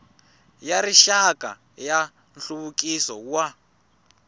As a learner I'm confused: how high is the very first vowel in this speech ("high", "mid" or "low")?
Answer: low